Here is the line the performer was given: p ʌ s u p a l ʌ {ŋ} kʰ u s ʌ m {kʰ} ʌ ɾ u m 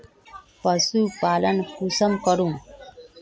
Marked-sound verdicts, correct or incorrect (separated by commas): incorrect, incorrect